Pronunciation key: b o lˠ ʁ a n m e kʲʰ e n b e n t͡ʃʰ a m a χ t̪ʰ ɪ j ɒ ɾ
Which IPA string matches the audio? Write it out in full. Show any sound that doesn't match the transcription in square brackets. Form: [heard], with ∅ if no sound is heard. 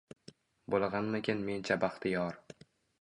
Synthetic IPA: b o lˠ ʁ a n m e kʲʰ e n [m] e n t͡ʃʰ a [b] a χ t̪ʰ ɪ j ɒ ɾ